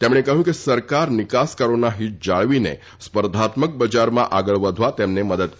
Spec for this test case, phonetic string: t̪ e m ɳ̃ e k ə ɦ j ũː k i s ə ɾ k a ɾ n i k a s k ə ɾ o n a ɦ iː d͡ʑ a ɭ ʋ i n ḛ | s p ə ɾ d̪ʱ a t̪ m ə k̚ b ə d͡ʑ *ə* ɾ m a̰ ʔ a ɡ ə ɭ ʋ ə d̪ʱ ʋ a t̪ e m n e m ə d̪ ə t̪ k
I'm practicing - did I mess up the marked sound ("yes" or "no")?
yes